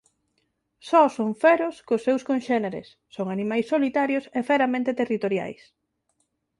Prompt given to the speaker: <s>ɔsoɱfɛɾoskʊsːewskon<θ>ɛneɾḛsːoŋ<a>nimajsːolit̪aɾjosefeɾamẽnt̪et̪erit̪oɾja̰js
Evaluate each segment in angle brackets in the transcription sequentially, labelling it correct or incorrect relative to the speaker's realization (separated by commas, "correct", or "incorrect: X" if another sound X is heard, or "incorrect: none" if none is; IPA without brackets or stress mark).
correct, incorrect: ʃ, correct